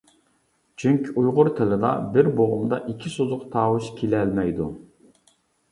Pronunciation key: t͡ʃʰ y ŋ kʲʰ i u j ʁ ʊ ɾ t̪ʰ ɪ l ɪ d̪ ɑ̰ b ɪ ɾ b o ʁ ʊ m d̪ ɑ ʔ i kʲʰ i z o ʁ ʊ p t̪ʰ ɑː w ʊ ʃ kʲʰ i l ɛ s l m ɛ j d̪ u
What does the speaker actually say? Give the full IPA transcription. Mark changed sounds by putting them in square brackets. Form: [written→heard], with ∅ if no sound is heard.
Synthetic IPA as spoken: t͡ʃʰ y ŋ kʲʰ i u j ʁ ʊ ɾ t̪ʰ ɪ l ɪ d̪ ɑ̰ b ɪ ɾ b o ʁ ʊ m d̪ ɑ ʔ i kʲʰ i [z→s] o [ʁ→z] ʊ [p→q] t̪ʰ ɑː w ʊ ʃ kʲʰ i l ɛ [s→∅] l m ɛ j d̪ u